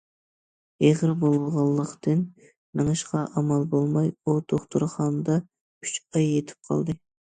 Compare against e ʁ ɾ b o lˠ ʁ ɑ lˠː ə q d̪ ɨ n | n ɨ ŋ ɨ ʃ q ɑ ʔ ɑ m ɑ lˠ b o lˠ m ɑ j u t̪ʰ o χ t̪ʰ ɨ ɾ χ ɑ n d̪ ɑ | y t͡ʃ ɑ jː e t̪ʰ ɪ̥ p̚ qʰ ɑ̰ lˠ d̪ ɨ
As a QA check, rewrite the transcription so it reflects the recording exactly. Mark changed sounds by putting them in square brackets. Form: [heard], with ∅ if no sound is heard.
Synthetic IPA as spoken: e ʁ ɾ b o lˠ ʁ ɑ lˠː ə q [t̪] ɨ n | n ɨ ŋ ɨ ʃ q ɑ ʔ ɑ m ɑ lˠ b o lˠ m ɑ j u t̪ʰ o χ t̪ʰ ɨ ɾ χ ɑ n d̪ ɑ | y t͡ʃ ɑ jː e t̪ʰ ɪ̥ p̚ qʰ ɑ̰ lˠ d̪ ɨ